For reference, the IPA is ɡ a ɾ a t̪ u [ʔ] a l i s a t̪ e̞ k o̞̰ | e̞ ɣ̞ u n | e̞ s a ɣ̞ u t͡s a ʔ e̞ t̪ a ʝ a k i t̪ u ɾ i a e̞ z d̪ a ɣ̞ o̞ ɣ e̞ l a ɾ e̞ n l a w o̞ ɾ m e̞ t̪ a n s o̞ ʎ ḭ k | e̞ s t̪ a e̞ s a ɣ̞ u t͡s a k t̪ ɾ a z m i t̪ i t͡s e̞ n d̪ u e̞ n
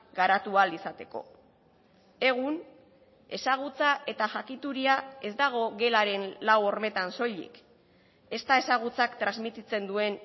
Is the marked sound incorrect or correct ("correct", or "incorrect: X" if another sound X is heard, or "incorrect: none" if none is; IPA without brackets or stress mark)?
incorrect: none